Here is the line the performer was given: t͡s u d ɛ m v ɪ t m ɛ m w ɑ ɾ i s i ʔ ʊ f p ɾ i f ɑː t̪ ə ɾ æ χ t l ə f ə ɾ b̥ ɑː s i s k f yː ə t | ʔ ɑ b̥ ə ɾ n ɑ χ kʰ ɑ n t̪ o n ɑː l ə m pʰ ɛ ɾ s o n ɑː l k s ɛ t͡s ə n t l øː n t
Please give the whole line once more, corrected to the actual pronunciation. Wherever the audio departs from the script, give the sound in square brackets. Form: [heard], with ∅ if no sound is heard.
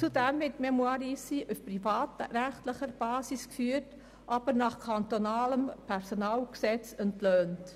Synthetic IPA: t͡s u d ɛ m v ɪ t m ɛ m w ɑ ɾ i s i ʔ [u] f p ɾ i f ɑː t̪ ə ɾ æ χ t l ə [χ] ə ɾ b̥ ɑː s i s k f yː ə t | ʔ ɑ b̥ ə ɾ n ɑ χ kʰ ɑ n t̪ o n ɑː l ə m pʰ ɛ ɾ s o n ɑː l k s ɛ t͡s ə n t l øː n t